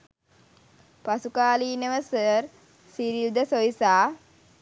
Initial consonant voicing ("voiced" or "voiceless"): voiceless